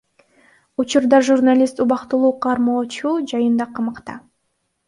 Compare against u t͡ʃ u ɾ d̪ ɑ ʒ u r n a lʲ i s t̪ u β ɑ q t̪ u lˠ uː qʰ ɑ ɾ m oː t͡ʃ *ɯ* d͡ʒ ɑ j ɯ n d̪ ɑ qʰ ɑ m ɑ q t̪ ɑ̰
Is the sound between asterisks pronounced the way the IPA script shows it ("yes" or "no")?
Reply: no